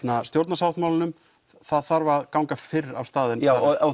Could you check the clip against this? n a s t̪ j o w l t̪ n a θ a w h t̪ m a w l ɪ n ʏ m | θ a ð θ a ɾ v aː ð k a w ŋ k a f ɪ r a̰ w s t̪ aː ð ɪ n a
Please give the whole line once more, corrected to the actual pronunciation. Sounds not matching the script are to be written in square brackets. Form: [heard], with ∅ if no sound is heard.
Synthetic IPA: n a s t̪ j o w [ɾ] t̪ n a [s] a w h t̪ m a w l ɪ n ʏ m | θ a ð θ a ɾ v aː ð k a w ŋ k a f ɪ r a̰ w s t̪ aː ð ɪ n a

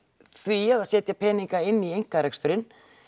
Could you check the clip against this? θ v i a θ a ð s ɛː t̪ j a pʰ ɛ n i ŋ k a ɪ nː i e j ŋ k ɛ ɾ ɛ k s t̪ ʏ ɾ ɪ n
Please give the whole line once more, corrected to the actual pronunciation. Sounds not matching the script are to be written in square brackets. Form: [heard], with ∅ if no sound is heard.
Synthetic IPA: θ v i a [ð] a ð s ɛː t̪ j a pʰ [ɛː] n i ŋ k a ɪ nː i e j ŋ k [a] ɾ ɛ k s t̪ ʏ ɾ ɪ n

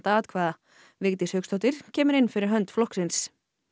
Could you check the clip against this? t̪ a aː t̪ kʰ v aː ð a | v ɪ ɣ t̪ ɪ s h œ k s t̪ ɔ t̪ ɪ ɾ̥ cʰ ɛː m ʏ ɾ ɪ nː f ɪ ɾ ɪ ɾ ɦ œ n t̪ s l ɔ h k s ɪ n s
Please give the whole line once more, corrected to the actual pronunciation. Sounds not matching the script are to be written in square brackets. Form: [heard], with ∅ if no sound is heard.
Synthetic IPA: t̪ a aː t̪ kʰ v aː ð a | v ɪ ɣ t̪ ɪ s h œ k s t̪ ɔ t̪ ɪ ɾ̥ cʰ ɛː m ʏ ɾ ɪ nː f ɪ ɾ ɪ ɾ ɦ œ n t̪ [f] l ɔ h k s ɪ n s

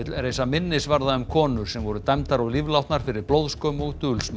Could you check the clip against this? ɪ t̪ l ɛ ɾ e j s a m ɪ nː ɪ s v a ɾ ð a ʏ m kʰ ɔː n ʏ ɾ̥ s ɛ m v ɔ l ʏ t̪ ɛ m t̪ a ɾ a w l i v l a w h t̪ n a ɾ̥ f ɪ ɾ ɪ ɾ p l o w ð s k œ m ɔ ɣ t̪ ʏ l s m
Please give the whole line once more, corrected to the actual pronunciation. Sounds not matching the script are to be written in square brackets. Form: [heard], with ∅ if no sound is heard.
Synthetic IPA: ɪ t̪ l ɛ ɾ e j s a m ɪ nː ɪ s v a ɾ ð a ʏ m kʰ ɔː n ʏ ɾ̥ s ɛ m v ɔ [ɾ] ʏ t̪ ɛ m t̪ a ɾ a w l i v l a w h t̪ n a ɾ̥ f ɪ ɾ ɪ ɾ p l o w ð s k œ m ɔ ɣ t̪ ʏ l s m

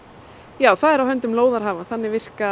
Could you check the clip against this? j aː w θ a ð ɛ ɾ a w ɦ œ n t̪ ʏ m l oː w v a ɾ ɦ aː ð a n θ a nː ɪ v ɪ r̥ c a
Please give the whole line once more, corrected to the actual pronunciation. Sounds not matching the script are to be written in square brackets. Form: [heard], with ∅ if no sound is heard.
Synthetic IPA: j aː w θ a ð ɛ ɾ a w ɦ œ n t̪ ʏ m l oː w [ð] a ɾ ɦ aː [v] a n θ a nː ɪ v ɪ r̥ [k] a

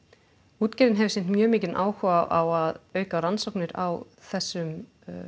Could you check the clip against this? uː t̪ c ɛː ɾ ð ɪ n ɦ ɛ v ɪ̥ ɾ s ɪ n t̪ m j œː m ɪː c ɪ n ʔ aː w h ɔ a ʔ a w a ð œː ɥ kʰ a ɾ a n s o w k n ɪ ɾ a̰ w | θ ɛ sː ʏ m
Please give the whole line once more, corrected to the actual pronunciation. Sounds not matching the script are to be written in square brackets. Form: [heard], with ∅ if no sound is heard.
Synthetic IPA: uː t̪ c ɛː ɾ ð ɪ n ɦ ɛ v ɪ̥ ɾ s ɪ n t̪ m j œː m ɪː c ɪ n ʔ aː w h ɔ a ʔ a w a ð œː ɥ [k] a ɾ a n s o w k n ɪ ɾ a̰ w | θ ɛ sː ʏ m

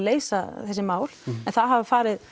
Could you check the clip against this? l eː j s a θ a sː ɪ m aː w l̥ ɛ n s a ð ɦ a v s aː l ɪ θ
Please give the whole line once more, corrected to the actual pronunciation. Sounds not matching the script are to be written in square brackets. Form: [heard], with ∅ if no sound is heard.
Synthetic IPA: l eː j s a θ [ɛ] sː ɪ m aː w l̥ ɛ n [θ] a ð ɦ a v [f] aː [ɾ] ɪ [ð]

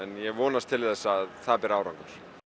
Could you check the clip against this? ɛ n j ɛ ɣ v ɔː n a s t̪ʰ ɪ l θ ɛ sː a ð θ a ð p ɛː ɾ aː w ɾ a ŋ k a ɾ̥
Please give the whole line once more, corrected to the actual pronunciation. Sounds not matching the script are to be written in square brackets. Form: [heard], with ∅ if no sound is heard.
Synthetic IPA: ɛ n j ɛ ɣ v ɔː n a s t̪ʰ ɪ l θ ɛ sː a ð θ a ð p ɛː ɾ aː w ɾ a ŋ k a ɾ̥

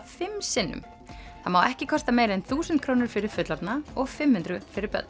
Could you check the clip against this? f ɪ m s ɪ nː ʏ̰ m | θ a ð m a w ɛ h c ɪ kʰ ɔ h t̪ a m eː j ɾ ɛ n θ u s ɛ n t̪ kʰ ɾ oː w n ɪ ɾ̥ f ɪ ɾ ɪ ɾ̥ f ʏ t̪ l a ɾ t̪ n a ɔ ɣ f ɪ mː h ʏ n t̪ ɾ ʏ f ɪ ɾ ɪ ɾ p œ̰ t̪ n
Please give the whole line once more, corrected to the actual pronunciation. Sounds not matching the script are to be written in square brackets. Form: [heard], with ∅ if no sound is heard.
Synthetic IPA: f ɪ m s ɪ nː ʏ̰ m | θ a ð m a w ɛ h c ɪ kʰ ɔ [s] t̪ a m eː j ɾ ɛ n θ [uː] s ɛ n t̪ kʰ ɾ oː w n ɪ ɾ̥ f ɪ ɾ ɪ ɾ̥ f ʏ t̪ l a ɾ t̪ n a ɔ ɣ f ɪ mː h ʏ n t̪ ɾ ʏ f ɪ ɾ ɪ ɾ p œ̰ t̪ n

